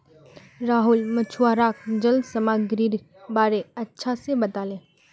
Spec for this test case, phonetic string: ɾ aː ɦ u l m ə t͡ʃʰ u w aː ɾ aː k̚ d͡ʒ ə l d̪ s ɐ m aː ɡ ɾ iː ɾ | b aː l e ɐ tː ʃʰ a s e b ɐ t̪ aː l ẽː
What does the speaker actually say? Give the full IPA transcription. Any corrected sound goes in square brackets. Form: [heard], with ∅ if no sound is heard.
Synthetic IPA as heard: ɾ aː ɦ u l m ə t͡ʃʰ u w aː ɾ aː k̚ d͡ʒ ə l d̪ s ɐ m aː ɡ ɾ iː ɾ | b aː [ɾ] e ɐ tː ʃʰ a s e b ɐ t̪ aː l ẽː